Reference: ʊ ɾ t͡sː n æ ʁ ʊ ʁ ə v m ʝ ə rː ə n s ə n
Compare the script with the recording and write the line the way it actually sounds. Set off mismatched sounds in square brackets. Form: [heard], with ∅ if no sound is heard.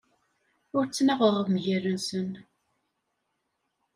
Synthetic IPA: ʊ ɾ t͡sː n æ ʁ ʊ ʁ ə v m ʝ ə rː ə n s ə n